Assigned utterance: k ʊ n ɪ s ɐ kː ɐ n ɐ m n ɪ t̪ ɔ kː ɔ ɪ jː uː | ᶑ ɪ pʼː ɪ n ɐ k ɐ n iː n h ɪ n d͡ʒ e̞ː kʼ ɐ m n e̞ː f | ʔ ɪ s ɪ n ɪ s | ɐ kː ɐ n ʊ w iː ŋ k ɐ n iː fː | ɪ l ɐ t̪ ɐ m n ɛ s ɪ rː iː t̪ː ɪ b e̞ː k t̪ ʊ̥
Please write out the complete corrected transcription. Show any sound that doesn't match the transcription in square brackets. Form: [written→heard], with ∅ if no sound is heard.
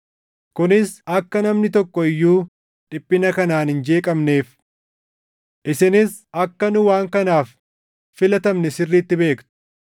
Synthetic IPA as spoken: k ʊ n ɪ s ɐ kː ɐ n ɐ m n ɪ t̪ ɔ kː ɔ ɪ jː uː | ᶑ ɪ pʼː ɪ n ɐ k ɐ n [iː→aː] n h ɪ n d͡ʒ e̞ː kʼ ɐ m n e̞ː f | ʔ ɪ s ɪ n ɪ s | ɐ kː ɐ n ʊ w [iː→aː] ŋ k ɐ n [iː→aː] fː | ɪ l ɐ t̪ ɐ m n ɛ s ɪ rː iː t̪ː ɪ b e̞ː k t̪ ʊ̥